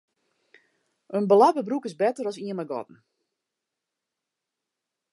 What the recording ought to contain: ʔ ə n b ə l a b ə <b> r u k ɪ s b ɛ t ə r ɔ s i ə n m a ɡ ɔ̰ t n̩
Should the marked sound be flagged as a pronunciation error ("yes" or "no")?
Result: no